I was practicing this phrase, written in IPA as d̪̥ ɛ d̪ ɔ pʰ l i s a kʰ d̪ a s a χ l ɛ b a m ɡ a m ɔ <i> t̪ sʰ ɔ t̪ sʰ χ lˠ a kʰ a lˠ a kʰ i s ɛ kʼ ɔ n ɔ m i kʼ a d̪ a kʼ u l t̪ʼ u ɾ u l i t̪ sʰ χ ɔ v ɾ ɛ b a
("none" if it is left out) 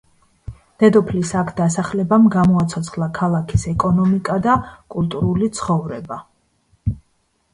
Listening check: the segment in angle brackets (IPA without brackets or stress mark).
a